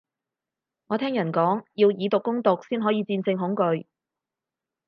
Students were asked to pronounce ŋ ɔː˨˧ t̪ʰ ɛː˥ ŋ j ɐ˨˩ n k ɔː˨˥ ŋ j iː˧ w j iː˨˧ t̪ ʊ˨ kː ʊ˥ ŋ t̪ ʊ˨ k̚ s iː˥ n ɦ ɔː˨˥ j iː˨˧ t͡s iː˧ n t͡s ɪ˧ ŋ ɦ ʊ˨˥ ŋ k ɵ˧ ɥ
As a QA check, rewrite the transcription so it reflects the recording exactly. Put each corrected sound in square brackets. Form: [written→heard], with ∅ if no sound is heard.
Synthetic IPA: ŋ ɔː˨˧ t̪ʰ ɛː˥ ŋ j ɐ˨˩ n k ɔː˨˥ ŋ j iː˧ w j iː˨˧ t̪ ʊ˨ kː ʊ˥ ŋ t̪ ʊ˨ k̚ s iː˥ n ɦ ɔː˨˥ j iː˨˧ t͡s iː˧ n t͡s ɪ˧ ŋ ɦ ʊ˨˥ ŋ k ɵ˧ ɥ